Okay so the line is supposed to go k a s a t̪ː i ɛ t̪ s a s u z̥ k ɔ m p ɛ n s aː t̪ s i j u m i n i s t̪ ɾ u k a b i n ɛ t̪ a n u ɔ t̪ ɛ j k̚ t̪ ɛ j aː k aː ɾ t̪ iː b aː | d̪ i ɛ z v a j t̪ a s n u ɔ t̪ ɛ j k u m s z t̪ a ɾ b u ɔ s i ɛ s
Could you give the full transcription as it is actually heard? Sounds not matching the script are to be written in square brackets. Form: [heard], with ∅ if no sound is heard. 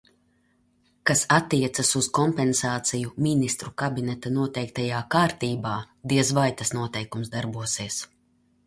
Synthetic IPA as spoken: k a s a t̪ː i ɛ t̪ s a s u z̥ k ɔ m p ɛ n s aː t̪ s i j u m i n i s t̪ ɾ u k a b i n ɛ t̪ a n u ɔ t̪ ɛ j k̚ t̪ [a] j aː k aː ɾ t̪ iː b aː | d̪ i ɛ z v a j t̪ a s n u ɔ t̪ ɛ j k u m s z [d̪] a ɾ b u ɔ s i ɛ s